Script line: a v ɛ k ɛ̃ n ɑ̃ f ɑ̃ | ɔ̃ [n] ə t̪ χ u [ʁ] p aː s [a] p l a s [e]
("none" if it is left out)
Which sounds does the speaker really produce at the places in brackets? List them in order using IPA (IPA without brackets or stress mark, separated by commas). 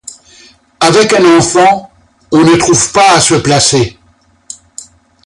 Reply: n, v, ə, e